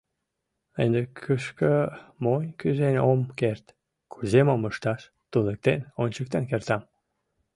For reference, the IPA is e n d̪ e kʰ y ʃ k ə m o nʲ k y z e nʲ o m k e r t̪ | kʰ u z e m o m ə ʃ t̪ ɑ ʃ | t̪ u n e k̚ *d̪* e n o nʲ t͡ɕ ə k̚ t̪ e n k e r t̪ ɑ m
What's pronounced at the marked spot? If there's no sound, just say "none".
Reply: t̪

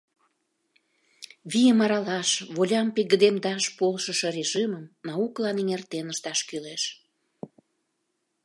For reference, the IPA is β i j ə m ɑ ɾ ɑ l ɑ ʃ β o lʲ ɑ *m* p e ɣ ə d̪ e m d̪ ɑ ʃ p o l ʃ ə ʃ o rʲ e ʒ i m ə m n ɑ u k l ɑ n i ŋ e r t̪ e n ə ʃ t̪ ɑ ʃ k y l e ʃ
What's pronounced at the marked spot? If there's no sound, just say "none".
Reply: m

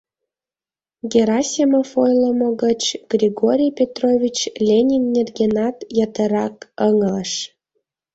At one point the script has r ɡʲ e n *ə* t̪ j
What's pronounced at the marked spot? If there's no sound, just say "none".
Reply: ɑ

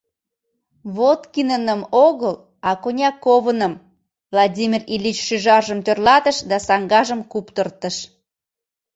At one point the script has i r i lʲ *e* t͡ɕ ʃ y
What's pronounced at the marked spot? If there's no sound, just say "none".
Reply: i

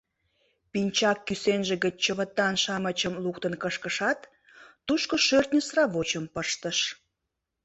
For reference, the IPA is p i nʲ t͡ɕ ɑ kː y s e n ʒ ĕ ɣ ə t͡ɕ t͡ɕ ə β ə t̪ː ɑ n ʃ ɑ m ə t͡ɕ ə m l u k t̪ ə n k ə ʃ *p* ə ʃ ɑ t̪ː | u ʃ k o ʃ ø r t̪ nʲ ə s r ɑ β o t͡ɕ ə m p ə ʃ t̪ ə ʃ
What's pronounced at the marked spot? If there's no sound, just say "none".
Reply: k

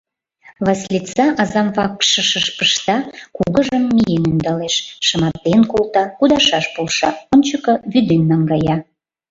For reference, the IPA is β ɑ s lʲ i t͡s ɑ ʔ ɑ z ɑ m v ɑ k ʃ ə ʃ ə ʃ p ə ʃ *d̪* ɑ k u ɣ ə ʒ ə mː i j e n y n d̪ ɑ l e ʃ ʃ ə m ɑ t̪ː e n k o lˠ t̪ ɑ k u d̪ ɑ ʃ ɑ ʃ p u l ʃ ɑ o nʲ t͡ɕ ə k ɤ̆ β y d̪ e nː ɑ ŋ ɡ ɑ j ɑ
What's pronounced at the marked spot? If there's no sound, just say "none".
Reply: t̪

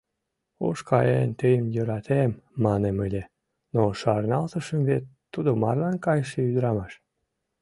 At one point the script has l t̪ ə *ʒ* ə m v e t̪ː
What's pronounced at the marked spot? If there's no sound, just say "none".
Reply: ʃ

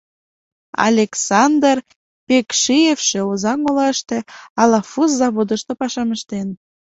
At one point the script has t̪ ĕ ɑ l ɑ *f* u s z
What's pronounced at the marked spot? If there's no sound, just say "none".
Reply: f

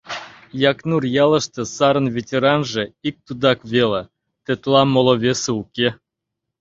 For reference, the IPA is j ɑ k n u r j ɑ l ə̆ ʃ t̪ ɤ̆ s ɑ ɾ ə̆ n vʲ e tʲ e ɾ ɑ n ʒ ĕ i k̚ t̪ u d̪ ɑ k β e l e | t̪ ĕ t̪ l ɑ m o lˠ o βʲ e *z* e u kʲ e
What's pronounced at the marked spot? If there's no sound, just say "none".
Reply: s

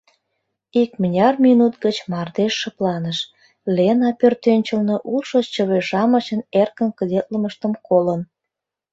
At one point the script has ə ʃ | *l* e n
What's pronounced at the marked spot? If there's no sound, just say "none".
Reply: l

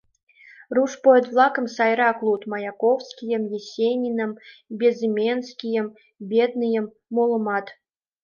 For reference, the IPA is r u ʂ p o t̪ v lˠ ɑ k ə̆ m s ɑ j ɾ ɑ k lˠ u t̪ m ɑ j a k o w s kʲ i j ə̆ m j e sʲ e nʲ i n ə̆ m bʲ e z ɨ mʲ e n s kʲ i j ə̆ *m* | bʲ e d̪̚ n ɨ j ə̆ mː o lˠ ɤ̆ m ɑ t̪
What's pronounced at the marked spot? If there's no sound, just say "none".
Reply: m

